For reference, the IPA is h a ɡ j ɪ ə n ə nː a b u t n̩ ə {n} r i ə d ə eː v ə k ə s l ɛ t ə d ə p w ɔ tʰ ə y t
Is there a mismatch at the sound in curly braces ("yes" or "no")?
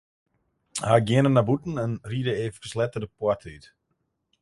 no